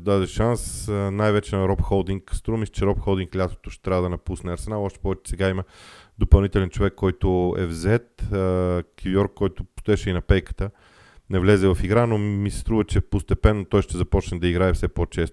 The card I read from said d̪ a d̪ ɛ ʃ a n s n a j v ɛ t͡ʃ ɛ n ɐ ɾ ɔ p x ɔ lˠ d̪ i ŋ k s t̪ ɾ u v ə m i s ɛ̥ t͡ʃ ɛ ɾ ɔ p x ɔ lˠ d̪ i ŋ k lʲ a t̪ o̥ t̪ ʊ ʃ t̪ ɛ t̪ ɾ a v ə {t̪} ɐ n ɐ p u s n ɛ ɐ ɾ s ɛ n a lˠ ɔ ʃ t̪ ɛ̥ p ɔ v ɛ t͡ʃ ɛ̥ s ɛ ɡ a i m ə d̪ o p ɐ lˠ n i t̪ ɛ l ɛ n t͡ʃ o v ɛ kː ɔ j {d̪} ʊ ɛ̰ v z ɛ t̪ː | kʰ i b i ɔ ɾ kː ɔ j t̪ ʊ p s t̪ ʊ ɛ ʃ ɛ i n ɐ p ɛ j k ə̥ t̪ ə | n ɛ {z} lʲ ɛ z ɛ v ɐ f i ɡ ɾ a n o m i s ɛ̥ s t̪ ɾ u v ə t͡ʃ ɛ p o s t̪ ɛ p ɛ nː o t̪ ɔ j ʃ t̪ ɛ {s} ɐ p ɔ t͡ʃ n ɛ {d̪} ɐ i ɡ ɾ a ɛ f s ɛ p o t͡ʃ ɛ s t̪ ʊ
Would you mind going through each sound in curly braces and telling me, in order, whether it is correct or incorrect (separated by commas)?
incorrect, incorrect, incorrect, incorrect, correct